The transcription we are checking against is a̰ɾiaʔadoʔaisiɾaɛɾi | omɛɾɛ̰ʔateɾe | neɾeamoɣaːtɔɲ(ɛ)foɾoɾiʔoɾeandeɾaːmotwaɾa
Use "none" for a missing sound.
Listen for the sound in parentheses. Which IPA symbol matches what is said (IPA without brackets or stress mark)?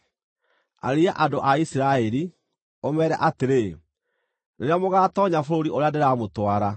a